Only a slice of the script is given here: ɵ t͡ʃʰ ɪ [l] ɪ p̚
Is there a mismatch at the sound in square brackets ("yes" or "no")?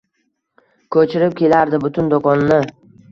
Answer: yes